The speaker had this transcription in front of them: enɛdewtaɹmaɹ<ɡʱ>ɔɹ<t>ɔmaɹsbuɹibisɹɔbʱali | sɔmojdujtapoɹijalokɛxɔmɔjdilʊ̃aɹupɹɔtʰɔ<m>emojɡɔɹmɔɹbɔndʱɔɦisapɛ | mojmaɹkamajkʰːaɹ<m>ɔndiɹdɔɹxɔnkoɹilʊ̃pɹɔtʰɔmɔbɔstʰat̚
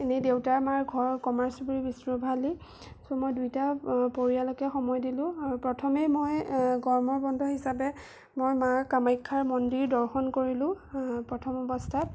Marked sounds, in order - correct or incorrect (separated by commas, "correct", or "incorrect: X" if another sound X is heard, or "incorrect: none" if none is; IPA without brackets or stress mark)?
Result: correct, incorrect: k, correct, correct